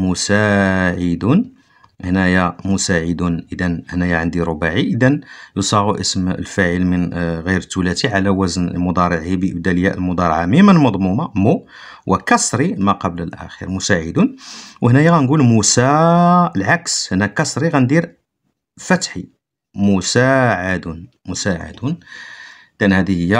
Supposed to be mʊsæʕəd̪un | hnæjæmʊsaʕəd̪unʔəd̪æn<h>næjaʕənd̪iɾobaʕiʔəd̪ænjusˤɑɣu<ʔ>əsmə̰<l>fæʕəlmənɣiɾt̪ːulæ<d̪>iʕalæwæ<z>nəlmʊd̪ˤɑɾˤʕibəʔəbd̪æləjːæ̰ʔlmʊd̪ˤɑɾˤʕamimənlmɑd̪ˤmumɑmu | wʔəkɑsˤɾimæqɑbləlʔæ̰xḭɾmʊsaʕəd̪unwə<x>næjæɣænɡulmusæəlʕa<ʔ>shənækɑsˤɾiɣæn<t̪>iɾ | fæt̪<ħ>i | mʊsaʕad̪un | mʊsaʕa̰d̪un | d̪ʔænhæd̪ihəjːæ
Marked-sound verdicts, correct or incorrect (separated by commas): correct, correct, correct, incorrect, correct, incorrect, incorrect, incorrect, correct